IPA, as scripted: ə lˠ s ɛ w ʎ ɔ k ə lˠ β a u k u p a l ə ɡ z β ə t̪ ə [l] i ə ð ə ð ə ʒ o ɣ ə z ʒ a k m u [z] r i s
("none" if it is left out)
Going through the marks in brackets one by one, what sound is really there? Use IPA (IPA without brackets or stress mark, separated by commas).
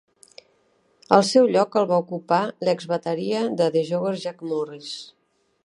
ɾ, none